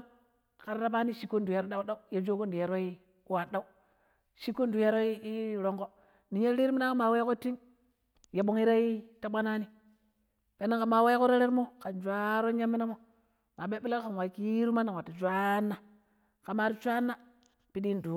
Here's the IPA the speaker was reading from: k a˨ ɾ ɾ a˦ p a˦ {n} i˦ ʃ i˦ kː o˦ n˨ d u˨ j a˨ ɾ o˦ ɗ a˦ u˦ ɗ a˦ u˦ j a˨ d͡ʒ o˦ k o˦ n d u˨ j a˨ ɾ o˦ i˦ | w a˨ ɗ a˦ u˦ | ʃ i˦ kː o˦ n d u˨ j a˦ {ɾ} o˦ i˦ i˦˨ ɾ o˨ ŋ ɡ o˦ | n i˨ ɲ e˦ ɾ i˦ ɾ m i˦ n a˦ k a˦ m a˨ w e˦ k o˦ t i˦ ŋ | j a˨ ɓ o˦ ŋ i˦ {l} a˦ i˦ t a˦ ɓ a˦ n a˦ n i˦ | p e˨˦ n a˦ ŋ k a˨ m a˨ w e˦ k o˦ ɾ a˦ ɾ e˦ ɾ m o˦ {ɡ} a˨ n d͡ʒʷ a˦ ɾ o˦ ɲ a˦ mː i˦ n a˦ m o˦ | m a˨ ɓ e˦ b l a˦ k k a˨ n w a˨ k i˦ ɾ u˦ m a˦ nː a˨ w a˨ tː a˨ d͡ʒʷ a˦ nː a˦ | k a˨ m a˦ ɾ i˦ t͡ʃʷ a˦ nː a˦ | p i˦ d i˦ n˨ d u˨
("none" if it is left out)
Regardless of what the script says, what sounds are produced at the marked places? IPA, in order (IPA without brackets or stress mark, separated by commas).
n, ɾ, ɾ, k